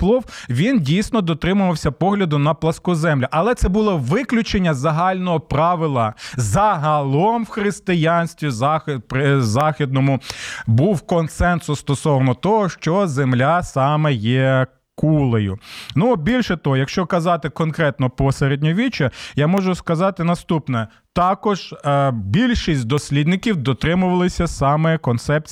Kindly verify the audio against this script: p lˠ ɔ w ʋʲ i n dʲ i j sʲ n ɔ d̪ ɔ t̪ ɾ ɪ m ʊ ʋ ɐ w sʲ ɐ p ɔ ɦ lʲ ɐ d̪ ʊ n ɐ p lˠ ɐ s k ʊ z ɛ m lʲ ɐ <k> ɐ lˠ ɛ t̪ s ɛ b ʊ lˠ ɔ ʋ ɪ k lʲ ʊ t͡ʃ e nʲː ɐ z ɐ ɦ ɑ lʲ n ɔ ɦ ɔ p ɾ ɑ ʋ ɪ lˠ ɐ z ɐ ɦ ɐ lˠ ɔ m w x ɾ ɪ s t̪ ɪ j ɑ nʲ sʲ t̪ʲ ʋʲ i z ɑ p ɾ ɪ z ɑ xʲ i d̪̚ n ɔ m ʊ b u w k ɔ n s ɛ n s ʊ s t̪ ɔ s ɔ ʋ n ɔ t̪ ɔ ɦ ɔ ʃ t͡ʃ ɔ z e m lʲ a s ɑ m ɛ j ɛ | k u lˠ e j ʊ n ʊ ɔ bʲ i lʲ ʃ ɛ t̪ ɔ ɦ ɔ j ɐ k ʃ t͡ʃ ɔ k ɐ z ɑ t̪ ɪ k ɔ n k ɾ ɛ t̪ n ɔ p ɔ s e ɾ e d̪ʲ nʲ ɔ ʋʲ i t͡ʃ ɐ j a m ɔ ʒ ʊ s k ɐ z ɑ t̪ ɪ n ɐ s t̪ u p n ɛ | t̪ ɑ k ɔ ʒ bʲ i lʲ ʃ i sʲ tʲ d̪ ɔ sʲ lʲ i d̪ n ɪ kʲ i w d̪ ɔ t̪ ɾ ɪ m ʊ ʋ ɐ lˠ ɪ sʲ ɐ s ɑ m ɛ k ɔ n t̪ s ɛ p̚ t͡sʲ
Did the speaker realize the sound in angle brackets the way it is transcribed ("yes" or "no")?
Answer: no